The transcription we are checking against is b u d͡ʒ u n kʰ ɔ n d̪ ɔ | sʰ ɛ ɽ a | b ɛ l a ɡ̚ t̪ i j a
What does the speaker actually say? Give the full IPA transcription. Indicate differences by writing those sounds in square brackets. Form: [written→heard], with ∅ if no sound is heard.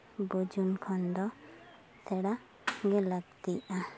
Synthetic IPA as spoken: b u d͡ʒ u n kʰ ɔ n d̪ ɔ | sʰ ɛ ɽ a | [b→ɡ] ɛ l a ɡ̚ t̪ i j a